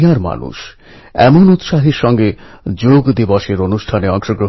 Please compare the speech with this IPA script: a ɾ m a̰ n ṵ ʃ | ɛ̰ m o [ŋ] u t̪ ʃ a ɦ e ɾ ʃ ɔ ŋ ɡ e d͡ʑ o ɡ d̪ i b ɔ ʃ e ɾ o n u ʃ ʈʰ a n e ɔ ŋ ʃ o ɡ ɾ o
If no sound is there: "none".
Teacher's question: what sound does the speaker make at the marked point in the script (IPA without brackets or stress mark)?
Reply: n